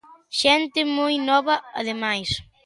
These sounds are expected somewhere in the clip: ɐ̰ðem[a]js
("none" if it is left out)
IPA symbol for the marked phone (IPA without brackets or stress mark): a